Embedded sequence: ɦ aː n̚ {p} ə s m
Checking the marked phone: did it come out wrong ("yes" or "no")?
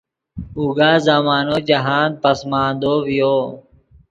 no